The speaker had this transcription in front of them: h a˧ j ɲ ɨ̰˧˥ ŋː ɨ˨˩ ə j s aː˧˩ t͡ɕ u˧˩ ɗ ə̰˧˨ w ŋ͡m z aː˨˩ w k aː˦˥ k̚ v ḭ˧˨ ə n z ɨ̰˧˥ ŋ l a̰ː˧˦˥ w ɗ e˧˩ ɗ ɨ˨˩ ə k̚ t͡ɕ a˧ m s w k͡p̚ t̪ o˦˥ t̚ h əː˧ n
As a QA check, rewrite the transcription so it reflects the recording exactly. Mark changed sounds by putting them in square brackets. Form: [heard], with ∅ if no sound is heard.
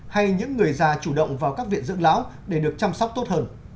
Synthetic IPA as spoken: h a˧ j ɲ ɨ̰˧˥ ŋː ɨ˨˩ ə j [z] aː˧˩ t͡ɕ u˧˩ ɗ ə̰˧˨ w ŋ͡m [v] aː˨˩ w k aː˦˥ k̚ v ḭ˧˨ ə n z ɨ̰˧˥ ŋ l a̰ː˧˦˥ w ɗ e˧˩ ɗ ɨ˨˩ ə k̚ t͡ɕ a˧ m s w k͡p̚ t̪ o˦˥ t̚ h əː˧ n

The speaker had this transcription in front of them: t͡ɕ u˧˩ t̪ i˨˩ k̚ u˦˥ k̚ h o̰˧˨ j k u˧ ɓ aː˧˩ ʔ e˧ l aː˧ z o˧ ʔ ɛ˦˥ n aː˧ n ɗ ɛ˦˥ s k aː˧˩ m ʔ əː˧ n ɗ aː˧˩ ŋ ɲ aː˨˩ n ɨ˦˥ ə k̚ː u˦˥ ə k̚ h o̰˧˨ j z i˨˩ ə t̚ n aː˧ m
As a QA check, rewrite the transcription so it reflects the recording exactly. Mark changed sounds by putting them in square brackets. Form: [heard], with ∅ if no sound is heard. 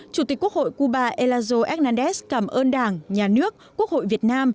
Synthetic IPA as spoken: t͡ɕ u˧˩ t̪ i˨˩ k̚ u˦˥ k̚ h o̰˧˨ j k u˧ ɓ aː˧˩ ʔ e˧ l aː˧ z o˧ ʔ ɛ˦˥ n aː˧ n ɗ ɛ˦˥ s k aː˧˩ m ʔ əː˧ n ɗ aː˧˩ ŋ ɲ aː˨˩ n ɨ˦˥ ə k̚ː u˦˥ ə k̚ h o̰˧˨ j [v] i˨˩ ə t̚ n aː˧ m

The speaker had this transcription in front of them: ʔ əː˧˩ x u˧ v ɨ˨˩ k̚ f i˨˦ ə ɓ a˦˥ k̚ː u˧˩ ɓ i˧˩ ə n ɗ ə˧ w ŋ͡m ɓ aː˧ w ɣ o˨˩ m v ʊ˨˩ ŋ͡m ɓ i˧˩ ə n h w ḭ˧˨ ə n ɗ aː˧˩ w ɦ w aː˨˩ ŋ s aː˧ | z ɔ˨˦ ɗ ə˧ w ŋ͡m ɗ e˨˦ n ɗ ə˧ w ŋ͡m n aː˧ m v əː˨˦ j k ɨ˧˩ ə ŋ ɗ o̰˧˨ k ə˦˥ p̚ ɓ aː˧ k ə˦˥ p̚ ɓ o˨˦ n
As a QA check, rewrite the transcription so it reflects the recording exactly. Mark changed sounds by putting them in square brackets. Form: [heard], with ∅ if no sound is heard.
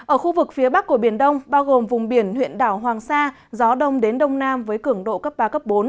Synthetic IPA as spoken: ʔ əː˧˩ x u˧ v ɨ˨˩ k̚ f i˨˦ ə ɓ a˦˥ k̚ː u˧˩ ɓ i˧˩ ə n ɗ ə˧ w ŋ͡m ɓ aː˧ w ɣ o˨˩ m v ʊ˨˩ ŋ͡m ɓ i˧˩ ə n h w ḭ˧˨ ə n ɗ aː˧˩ w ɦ w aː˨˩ ŋ s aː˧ | z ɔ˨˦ ɗ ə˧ w ŋ͡m ɗ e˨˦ n ɗ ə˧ w ŋ͡m n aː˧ m v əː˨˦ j k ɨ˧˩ ə ŋ ɗ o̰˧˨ k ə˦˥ p̚ ɓ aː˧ k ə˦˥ p̚ ɓ o˨˦ n

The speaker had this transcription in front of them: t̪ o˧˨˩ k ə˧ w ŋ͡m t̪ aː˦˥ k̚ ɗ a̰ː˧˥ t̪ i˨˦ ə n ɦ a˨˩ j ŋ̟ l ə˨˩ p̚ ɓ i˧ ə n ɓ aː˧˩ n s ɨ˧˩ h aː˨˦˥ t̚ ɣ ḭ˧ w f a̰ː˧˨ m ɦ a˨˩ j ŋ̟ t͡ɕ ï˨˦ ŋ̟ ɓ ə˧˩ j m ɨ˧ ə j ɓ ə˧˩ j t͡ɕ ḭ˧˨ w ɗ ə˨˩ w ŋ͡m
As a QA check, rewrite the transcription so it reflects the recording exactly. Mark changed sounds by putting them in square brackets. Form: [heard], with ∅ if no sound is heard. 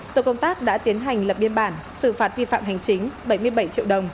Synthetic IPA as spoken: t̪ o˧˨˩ k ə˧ w ŋ͡m t̪ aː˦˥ k̚ ɗ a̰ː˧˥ t̪ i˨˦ ə n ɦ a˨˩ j ŋ̟ l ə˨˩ p̚ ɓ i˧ ə n ɓ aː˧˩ n s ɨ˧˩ [f] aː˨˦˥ t̚ [v] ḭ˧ [∅] f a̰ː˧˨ m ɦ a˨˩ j ŋ̟ t͡ɕ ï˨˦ ŋ̟ ɓ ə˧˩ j m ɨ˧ ə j ɓ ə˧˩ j t͡ɕ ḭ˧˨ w ɗ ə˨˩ w ŋ͡m

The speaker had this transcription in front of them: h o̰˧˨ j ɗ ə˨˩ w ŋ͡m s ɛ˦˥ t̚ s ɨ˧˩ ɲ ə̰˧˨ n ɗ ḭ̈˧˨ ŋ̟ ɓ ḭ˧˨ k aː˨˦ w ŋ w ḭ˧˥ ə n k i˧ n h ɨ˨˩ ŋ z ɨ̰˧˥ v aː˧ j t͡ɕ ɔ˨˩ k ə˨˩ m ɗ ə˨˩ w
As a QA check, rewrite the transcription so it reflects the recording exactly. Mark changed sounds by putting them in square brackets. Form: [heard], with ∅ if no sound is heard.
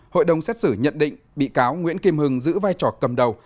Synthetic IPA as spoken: h o̰˧˨ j ɗ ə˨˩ w ŋ͡m s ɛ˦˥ t̚ s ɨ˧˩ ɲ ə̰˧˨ n ɗ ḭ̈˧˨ ŋ̟ ɓ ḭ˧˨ k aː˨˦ w ŋ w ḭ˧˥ ə n k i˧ [m] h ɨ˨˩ ŋ z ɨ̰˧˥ v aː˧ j t͡ɕ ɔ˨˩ k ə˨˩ m ɗ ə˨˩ w

